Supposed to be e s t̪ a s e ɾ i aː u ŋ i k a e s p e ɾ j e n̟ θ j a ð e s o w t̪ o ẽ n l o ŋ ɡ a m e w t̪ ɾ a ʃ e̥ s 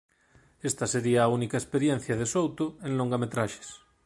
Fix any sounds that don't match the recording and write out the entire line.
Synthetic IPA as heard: e s t̪ a s e ɾ i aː u n i k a e s p e ɾ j e n̟ θ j a ð e s o w t̪ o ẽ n l o ŋ ɡ a m e t̪ ɾ a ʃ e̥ s